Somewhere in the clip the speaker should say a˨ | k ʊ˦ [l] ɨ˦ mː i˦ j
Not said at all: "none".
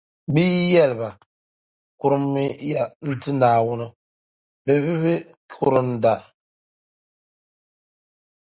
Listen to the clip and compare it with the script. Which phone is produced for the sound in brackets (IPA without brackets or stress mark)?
ɾ